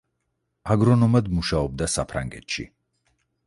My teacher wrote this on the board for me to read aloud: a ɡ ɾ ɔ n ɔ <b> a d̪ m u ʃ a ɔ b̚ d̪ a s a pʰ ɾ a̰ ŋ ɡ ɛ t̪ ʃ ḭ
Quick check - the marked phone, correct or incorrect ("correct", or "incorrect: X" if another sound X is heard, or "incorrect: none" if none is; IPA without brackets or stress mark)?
incorrect: m